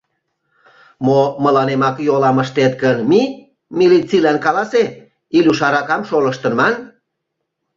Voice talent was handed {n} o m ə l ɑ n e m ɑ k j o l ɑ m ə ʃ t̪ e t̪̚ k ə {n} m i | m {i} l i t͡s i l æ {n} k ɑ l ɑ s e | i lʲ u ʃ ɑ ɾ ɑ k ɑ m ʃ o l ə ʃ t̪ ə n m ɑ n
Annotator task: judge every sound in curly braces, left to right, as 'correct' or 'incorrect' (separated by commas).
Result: incorrect, correct, correct, correct